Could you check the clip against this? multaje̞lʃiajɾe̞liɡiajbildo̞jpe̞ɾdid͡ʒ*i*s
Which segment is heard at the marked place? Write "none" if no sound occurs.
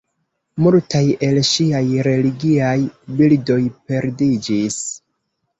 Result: i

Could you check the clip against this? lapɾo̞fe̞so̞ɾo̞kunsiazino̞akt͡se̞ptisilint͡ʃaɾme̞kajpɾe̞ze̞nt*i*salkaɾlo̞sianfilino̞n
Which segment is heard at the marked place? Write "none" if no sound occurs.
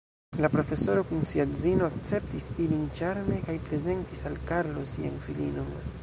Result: i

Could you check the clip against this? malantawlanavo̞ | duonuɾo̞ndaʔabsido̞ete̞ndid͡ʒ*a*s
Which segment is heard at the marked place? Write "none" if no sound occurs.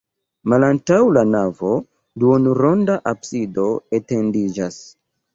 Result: a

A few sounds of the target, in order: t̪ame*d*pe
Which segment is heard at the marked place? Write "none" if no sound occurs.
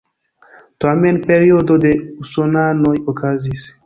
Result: n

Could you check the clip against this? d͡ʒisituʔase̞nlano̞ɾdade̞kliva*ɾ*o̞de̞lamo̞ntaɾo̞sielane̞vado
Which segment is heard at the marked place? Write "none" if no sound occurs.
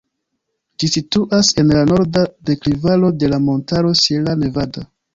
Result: l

